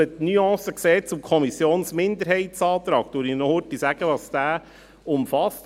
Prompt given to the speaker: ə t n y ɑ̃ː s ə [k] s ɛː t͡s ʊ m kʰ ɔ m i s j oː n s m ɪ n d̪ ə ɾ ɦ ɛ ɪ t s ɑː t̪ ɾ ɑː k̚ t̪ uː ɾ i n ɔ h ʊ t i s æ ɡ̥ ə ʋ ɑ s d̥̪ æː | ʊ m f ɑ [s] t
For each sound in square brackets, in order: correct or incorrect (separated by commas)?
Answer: correct, correct